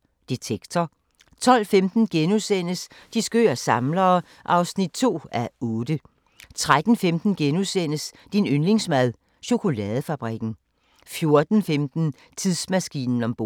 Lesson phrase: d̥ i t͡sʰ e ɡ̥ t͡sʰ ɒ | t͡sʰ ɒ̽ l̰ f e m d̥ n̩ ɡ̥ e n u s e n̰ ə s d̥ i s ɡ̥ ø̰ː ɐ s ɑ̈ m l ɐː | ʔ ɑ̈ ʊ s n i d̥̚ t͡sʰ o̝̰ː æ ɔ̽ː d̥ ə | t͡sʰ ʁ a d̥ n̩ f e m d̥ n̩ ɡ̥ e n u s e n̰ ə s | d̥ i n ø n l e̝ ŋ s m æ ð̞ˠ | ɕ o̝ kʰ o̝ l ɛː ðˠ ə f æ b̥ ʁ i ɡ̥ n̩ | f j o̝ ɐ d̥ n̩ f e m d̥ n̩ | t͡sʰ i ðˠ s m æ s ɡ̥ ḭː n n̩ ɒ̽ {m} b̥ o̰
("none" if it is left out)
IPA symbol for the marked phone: m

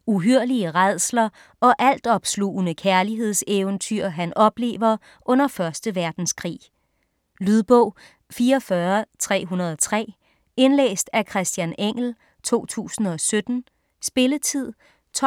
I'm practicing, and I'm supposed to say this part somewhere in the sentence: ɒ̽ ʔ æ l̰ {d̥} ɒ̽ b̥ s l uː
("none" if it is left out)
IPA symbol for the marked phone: d̥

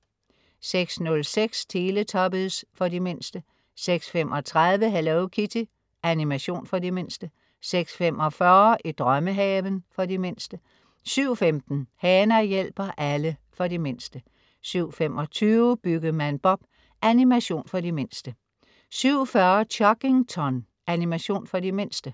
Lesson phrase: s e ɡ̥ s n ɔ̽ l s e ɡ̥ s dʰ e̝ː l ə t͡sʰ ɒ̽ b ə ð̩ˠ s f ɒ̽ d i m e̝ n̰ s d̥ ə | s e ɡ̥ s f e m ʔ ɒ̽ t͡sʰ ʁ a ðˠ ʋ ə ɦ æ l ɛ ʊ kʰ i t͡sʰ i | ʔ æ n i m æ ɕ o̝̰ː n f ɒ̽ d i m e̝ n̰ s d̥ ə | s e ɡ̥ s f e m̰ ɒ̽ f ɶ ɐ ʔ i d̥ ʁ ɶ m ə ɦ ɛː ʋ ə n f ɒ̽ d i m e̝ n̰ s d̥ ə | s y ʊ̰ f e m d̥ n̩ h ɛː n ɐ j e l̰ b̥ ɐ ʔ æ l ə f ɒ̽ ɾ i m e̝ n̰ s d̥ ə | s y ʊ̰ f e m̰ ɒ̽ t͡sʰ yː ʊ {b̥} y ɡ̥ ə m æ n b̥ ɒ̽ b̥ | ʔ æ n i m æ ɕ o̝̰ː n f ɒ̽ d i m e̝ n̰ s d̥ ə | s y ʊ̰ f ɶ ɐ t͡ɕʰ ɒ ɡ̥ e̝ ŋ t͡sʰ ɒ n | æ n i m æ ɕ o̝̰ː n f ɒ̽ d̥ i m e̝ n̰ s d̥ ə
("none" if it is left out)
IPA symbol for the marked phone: b̥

